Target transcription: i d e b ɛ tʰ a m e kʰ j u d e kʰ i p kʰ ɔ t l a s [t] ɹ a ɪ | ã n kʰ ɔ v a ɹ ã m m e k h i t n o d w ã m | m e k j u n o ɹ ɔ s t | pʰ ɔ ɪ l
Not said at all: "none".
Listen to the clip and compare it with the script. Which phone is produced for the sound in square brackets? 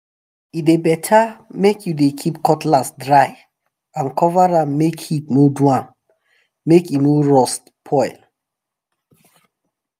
d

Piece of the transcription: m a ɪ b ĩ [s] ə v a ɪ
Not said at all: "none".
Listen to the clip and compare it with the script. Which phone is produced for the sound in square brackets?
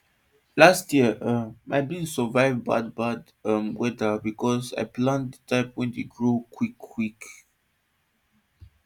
s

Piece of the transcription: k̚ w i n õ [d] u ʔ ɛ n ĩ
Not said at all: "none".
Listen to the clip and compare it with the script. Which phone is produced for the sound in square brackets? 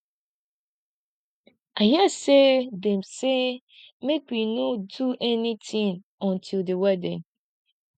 d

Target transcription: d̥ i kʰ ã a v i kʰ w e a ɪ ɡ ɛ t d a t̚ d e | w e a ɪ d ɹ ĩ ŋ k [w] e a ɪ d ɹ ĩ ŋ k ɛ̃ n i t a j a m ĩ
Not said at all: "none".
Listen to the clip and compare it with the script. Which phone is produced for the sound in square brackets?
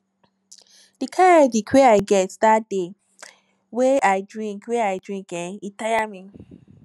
w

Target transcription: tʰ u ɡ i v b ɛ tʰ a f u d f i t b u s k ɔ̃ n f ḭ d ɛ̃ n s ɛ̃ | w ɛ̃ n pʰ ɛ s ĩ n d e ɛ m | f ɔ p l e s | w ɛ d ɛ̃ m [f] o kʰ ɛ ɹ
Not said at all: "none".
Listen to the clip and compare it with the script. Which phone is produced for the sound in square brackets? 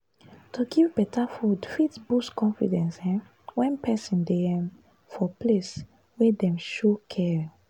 ʃ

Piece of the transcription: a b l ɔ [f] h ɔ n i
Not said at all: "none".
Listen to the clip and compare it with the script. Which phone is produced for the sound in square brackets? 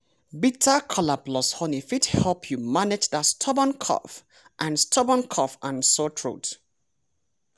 s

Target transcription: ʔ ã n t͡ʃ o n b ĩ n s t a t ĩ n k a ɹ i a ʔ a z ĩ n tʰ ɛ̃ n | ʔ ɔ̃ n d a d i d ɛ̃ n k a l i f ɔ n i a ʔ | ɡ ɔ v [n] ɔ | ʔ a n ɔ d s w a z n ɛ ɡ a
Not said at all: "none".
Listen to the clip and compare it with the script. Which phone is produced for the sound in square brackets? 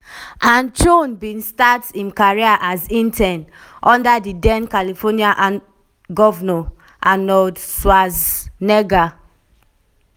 n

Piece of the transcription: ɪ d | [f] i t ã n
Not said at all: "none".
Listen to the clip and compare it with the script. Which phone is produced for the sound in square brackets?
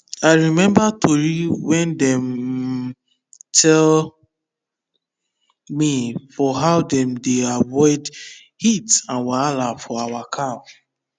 h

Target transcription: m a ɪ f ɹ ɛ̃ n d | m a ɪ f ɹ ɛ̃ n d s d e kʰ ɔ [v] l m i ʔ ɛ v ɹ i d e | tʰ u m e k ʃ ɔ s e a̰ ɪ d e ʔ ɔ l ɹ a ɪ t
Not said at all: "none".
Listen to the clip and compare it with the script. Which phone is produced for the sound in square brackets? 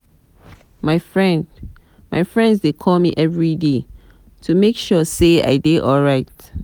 none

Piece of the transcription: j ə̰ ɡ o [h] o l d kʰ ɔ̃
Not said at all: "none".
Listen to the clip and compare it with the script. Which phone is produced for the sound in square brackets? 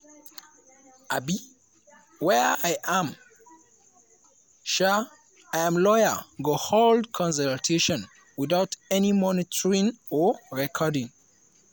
h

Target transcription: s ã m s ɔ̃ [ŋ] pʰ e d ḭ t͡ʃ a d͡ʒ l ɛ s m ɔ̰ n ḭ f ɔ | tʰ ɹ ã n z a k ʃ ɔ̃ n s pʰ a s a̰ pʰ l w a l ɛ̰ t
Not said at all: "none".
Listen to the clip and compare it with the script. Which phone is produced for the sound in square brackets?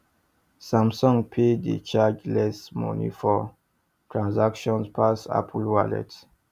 ŋ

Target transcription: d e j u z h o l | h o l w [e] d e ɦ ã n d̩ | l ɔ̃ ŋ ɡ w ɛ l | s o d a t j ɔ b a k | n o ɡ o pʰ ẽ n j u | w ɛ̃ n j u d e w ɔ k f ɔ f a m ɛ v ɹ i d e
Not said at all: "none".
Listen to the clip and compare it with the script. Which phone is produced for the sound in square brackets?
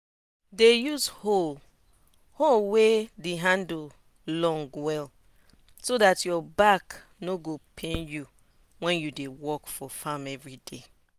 e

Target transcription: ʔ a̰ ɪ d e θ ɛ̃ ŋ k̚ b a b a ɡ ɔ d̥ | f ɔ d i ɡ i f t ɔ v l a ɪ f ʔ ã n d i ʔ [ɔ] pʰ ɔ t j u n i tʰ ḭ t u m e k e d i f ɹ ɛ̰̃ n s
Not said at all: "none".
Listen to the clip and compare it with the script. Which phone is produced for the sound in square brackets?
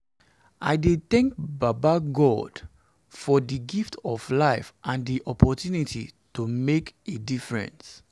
ɔ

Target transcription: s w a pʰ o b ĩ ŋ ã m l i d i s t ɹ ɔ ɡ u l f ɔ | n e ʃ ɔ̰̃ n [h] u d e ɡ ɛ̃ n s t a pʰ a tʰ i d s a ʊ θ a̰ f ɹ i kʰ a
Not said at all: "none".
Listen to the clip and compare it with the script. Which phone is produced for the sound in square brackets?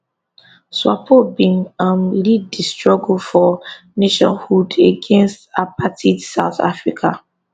h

